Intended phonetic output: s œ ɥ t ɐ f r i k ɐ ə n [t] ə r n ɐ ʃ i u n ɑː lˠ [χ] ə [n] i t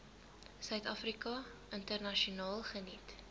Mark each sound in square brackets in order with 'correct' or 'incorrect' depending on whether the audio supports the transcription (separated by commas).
correct, correct, correct